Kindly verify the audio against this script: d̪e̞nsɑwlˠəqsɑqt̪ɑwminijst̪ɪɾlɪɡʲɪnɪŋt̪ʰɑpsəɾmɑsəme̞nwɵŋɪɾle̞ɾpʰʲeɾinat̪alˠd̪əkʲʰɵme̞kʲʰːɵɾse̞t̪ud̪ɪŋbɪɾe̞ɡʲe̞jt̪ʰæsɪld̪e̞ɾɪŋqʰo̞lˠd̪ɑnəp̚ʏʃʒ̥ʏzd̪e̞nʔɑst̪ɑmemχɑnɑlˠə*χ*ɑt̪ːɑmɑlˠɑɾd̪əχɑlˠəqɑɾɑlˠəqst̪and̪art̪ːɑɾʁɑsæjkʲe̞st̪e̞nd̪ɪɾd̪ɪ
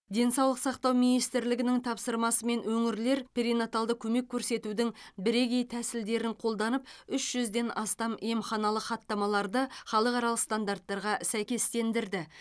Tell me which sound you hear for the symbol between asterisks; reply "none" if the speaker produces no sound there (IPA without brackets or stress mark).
χ